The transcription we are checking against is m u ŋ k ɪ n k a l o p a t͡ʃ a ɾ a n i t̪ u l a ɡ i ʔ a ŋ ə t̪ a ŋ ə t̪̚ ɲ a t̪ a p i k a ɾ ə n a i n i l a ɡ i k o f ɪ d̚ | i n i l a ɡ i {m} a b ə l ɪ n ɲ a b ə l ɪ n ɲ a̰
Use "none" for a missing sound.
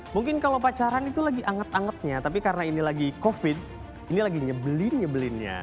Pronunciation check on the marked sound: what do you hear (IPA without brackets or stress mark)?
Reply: ɲ